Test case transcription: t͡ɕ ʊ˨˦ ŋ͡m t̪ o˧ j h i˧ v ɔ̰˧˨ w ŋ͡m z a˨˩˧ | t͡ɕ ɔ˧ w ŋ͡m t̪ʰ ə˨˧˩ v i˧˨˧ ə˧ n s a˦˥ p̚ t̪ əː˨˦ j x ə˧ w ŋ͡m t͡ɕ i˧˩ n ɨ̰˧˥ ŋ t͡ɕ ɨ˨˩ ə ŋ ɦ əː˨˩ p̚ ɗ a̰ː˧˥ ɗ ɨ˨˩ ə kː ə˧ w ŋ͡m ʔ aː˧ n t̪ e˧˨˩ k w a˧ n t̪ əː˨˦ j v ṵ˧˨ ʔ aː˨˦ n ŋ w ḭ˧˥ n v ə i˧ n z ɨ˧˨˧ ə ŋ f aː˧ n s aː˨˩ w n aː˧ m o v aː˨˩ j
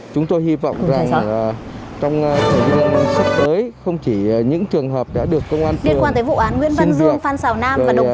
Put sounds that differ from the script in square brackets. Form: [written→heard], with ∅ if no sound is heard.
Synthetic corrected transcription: t͡ɕ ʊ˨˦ ŋ͡m t̪ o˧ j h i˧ v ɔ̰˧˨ w ŋ͡m z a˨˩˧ | t͡ɕ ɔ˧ w ŋ͡m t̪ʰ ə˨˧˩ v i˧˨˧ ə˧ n s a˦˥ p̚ t̪ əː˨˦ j x ə˧ w ŋ͡m t͡ɕ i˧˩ [n→ɲ] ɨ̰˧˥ ŋ t͡ɕ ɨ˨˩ ə ŋ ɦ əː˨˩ p̚ ɗ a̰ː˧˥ ɗ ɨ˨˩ ə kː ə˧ w ŋ͡m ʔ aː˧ n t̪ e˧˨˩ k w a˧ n t̪ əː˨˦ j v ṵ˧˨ ʔ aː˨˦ n ŋ w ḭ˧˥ n v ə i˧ n z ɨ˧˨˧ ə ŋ f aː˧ n s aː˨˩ w n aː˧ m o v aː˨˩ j